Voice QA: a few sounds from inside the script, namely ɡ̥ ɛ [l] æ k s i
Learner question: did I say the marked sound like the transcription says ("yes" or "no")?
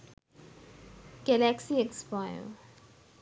yes